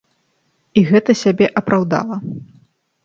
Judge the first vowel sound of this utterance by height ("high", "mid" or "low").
high